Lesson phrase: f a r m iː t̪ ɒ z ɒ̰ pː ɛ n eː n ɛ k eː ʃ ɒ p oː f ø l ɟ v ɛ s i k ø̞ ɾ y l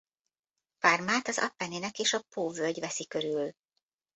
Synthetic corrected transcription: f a r m aː t̪ ɒ z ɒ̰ pː ɛ n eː n ɛ k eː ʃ ɒ p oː v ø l ɟ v ɛ s i k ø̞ ɾ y l